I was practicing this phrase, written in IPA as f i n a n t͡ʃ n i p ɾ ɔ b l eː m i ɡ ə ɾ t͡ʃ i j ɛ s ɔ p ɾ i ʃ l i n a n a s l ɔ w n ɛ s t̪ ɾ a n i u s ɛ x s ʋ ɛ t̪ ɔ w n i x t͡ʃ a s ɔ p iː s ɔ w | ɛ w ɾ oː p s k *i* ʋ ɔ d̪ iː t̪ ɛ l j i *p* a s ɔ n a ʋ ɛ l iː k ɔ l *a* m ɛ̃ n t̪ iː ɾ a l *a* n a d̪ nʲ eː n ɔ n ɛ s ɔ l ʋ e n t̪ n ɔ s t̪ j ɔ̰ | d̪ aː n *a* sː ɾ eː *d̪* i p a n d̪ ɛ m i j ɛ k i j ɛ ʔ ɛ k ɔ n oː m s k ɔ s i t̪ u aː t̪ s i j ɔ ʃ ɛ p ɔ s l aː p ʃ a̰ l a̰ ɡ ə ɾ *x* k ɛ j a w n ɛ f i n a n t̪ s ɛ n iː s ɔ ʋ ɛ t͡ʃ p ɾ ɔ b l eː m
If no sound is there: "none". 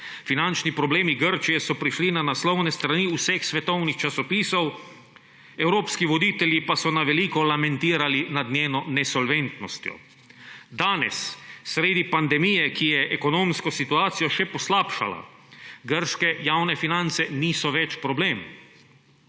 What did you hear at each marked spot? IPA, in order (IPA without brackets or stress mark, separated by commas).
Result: i, p, a, i, ɛ, d̪, ʃ